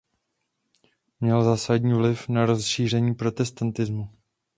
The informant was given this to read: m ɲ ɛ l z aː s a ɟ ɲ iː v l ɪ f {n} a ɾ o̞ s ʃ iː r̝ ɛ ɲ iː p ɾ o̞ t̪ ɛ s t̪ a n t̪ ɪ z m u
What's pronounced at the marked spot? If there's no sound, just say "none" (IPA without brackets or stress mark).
n